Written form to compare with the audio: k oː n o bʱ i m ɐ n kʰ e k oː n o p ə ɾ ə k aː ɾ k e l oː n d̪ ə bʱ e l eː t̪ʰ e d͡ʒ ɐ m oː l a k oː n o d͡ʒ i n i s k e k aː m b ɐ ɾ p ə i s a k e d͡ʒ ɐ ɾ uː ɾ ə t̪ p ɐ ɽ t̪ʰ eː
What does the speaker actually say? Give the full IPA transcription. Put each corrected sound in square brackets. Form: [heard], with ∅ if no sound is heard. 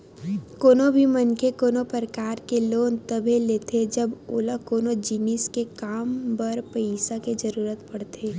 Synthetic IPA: k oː n o bʱ i m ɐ n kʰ e k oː n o p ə ɾ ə k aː ɾ k e l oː n [t̪] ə bʱ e l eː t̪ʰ e d͡ʒ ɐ [b] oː l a k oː n o d͡ʒ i n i s k e k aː m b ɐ ɾ p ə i s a k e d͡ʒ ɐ ɾ uː ɾ ə t̪ p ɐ ɽ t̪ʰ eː